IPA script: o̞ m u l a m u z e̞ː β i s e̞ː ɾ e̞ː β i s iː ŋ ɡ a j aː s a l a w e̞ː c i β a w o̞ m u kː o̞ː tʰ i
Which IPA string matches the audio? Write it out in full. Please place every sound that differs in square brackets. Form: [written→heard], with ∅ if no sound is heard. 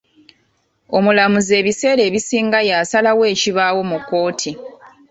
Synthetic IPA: o̞ m u l a m u z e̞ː β i s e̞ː ɾ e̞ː β i s iː ŋ ɡ a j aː s a l a w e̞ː c i β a w o̞ m u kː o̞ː tʰ i